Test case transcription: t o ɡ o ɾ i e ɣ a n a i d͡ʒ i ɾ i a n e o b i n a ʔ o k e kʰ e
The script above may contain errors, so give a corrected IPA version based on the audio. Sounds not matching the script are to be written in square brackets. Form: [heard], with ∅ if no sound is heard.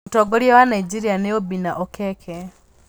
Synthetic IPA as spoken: t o ɡ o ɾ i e [w] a n a i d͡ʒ i ɾ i a n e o b i n a ʔ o k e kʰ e